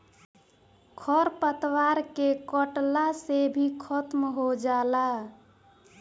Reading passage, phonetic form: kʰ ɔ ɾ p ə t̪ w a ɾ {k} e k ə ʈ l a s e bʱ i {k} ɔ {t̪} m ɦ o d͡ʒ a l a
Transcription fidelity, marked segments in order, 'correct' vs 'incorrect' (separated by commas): correct, incorrect, correct